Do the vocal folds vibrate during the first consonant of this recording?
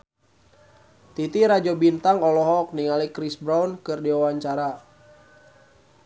no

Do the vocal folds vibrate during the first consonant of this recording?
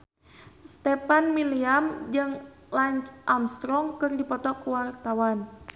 no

